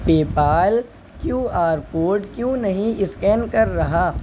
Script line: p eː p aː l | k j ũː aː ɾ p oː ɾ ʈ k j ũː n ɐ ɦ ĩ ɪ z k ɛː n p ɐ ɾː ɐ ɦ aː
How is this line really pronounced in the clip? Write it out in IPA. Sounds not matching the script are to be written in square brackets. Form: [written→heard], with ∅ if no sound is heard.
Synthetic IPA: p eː p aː l | k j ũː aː ɾ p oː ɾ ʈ k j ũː n ɐ ɦ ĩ ɪ [z→s] k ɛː n [p→k] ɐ ɾː ɐ ɦ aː